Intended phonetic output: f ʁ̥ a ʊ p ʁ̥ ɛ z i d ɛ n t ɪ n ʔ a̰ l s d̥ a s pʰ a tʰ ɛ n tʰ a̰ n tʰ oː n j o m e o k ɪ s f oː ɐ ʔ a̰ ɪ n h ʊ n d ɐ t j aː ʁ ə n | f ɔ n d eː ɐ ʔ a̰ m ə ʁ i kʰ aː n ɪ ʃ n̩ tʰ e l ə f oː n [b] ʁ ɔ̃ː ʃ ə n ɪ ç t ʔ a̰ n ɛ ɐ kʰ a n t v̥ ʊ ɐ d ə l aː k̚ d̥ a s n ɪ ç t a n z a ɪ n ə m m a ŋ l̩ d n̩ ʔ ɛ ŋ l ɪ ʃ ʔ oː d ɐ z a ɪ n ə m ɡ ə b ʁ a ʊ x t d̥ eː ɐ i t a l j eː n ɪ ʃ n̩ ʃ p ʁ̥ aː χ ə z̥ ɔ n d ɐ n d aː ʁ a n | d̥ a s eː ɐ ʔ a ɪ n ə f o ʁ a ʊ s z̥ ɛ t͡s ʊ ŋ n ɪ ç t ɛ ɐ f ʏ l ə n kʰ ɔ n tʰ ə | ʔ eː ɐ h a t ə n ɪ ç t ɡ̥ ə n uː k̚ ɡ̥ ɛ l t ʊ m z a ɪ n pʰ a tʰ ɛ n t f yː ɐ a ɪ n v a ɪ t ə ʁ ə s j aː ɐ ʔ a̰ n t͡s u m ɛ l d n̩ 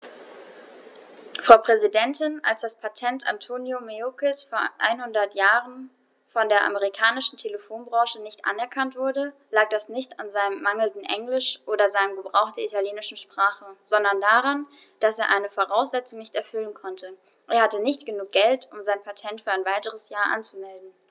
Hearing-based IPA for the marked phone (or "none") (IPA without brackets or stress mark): b